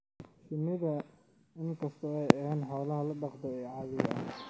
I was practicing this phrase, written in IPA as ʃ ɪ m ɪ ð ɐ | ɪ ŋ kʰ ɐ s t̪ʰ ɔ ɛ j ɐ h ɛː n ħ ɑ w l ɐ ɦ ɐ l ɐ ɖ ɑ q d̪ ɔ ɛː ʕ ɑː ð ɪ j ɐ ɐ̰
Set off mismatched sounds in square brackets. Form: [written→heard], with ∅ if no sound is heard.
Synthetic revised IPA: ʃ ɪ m ɪ ð ɐ | ɪ ŋ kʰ ɐ s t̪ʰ ɔ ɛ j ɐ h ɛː n ħ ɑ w l ɐ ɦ ɐ l ɐ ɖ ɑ q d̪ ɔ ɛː ʕ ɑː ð ɪ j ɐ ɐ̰